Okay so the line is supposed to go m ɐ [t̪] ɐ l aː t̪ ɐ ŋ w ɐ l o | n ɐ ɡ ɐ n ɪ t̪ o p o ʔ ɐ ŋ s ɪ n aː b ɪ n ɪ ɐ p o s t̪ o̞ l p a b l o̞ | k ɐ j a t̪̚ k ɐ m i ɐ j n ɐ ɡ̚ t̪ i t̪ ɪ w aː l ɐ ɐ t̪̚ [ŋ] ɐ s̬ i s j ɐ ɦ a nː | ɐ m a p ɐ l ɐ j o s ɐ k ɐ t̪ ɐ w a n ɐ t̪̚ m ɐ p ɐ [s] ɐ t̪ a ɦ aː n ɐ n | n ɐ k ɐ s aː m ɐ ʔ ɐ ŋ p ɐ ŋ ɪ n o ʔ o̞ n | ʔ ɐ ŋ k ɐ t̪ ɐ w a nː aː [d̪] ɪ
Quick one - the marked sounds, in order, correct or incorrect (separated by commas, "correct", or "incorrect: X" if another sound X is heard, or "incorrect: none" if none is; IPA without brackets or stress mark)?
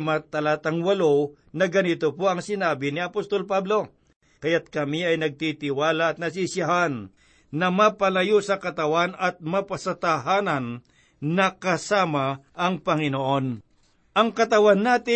correct, incorrect: n, correct, incorrect: t̪